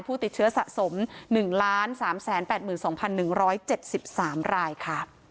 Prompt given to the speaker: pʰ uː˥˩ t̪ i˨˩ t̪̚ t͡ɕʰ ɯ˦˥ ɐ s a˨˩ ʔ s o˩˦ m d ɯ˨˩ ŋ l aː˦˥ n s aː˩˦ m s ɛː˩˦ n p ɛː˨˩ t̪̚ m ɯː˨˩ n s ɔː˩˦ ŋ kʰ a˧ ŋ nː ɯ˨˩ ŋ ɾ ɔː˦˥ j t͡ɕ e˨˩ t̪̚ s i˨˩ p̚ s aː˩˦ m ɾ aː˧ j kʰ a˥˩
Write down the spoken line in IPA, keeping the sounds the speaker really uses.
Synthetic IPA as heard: pʰ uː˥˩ t̪ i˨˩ t̪̚ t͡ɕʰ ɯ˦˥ ɐ s a˨˩ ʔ s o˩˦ m n ɯ˨˩ ŋ l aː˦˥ n s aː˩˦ m s ɛː˩˦ n p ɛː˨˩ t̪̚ m ɯː˨˩ n s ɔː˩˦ ŋ pʰ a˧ nː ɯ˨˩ ŋ ɾ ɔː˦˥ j t͡ɕ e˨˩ t̪̚ s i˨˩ p̚ s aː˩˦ m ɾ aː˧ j kʰ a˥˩